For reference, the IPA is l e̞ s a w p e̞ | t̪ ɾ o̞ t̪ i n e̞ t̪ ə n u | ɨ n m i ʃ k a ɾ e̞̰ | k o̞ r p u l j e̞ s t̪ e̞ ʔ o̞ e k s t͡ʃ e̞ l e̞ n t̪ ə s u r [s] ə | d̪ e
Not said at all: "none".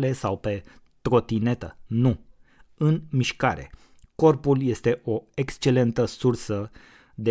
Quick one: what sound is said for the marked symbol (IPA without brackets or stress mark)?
s